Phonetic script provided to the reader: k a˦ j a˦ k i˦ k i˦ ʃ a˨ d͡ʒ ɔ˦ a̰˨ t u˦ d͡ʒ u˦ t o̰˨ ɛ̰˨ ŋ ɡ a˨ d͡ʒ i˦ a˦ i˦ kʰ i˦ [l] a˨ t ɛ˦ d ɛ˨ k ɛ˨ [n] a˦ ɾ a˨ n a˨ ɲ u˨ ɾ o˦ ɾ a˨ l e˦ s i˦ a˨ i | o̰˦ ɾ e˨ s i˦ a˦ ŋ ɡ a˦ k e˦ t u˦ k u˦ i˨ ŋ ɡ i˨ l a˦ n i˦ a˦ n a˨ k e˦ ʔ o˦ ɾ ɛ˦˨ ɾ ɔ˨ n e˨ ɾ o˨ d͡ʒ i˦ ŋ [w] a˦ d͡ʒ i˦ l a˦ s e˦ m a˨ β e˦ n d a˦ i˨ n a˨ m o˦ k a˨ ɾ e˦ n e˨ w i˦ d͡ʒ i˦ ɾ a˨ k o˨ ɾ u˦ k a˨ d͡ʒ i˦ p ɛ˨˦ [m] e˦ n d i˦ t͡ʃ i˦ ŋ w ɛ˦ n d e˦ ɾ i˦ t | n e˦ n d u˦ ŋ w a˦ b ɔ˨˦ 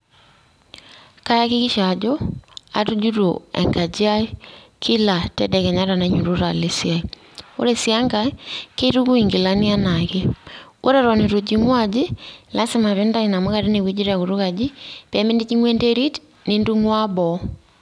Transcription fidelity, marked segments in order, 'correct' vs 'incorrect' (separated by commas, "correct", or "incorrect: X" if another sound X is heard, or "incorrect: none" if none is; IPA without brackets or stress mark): correct, incorrect: ɲ, correct, correct